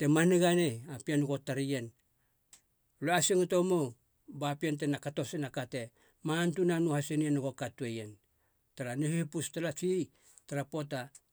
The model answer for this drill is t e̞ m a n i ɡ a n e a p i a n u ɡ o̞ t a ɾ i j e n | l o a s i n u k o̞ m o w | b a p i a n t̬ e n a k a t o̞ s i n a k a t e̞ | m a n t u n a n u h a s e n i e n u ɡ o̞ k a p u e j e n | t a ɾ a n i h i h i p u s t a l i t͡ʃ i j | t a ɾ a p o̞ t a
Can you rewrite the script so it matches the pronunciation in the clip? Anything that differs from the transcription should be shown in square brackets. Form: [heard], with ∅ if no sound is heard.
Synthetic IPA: t e̞ m a n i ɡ a n e a p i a n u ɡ o̞ t a ɾ i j e n | l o a s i [ŋ] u [t] o̞ m o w | b a p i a n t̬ e n a k a t o̞ s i n a k a t e̞ | m a n t u n a n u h a s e n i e n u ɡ o̞ k a [t] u e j e n | t a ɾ a n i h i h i p u s t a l [a] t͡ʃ i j | t a ɾ a p o̞ t a

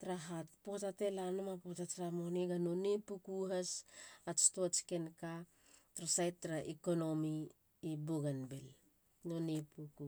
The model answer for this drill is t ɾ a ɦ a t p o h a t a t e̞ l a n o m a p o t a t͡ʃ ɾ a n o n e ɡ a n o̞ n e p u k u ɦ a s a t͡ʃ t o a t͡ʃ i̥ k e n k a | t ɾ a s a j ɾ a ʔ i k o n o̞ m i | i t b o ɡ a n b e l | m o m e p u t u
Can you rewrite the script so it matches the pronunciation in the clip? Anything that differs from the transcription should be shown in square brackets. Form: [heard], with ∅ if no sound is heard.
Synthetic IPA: t ɾ a ɦ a t p o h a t a t e̞ l a n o m a p o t a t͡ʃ ɾ a [m] o n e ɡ a n o̞ n e p u k u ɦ a s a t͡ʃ t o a t͡ʃ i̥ k e n k a | t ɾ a s a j ɾ a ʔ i k o n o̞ m i | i [∅] b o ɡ a n b e l | [n] o [n] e p u [k] u

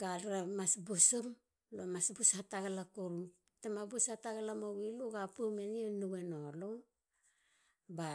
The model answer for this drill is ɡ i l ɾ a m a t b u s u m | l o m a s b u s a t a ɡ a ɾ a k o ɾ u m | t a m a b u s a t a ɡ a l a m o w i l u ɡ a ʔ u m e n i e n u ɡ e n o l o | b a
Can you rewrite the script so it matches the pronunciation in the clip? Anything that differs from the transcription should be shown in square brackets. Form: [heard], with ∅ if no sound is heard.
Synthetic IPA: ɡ [a] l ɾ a m a [s] b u s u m | l o m a s b u s a t a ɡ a [l] a k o ɾ u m | t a m a b u s a t a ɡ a l a m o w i l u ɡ a [p] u m e n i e n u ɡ e n o l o | b a

